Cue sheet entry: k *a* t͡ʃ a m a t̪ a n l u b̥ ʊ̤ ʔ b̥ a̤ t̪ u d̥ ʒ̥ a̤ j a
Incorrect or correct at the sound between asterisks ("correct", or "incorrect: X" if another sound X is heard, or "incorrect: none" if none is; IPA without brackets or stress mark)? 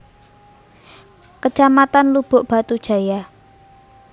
incorrect: ə